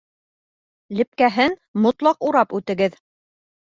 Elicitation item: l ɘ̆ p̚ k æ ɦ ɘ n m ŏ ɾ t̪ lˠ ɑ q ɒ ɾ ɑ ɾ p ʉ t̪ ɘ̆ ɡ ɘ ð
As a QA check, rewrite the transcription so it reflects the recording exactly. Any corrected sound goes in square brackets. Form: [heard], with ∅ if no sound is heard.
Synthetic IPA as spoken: l ɘ̆ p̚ k æ ɦ ɘ n m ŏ [∅] t̪ lˠ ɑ q [u] ɾ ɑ [∅] p ʉ t̪ ɘ̆ ɡ ɘ ð